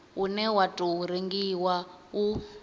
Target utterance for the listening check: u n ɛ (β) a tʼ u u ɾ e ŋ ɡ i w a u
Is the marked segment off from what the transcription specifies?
yes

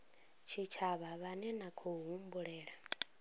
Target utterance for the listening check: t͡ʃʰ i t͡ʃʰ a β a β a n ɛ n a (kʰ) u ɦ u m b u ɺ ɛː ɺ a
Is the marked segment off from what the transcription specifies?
no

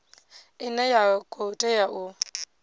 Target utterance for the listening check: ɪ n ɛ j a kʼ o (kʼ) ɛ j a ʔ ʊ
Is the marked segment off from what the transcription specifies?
yes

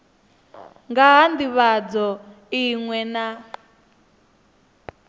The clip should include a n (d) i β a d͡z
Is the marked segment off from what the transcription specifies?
no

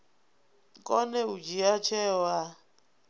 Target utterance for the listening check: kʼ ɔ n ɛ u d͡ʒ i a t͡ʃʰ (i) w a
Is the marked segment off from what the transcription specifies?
yes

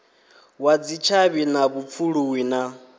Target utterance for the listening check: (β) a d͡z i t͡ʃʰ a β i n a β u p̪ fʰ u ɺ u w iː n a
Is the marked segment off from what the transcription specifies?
yes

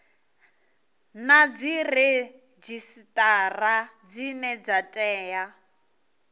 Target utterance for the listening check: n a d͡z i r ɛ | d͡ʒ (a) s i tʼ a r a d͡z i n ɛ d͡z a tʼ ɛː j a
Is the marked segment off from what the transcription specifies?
yes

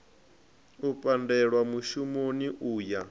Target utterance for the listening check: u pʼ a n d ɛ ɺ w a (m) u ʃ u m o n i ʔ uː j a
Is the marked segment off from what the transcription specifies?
no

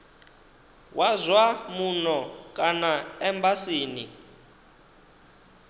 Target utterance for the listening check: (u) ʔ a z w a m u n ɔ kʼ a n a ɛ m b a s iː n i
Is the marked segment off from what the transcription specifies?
yes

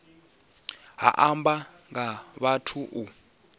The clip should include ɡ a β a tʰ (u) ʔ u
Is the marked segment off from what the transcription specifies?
no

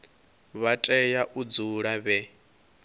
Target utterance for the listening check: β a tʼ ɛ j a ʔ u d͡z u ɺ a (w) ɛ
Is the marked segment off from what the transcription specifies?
yes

